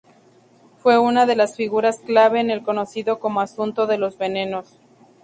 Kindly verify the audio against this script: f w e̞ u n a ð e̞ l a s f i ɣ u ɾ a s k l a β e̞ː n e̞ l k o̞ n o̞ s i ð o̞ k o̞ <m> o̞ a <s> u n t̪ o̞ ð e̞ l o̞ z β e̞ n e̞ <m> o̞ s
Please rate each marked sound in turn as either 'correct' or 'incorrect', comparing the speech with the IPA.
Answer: correct, correct, incorrect: n

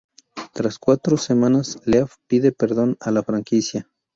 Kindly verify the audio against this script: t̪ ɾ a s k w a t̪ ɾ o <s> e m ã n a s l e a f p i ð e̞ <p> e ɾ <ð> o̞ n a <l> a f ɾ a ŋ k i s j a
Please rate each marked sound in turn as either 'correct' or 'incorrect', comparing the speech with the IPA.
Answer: correct, correct, correct, correct

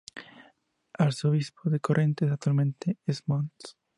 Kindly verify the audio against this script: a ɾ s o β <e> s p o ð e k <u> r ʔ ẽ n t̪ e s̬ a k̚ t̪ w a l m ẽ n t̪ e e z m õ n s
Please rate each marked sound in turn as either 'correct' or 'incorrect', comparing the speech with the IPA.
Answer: incorrect: i, incorrect: o

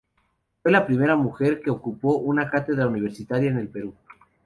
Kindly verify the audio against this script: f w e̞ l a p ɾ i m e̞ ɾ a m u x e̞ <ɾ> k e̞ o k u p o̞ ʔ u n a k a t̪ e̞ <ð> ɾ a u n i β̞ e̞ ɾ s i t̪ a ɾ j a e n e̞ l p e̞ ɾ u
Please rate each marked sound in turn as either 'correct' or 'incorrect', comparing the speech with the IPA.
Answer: correct, correct

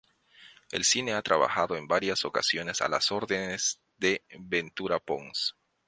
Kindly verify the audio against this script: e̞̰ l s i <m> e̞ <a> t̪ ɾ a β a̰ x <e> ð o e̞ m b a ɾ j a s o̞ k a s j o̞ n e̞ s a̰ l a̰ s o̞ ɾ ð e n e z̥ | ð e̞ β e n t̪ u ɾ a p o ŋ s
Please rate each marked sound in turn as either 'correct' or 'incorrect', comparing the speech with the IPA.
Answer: incorrect: n, correct, incorrect: a

